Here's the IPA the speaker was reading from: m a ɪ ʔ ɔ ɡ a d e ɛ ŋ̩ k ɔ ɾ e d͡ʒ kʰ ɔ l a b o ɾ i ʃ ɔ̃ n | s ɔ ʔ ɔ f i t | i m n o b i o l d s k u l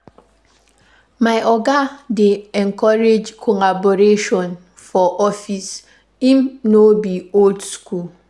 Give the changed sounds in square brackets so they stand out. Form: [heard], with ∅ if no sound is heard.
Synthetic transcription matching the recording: m a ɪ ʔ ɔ ɡ a d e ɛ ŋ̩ k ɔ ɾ e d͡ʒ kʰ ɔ l a b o ɾ [e] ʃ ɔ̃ n | [f] ɔ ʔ ɔ f i [s] | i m n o b i o l d s k u l